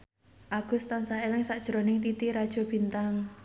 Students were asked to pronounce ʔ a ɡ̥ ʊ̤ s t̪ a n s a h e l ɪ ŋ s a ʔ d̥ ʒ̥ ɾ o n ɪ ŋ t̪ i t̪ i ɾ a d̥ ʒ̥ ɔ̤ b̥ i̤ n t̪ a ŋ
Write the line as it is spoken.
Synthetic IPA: ʔ a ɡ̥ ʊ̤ s t̪ a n s a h e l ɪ ŋ s a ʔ d̥ ʒ̥ ɾ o n ɪ ŋ t̪ i t̪ i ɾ a d̥ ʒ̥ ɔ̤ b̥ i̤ n t̪ a ŋ